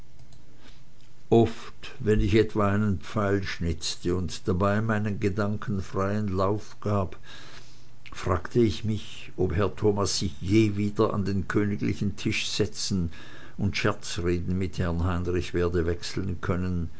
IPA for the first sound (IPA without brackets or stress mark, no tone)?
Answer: ʔ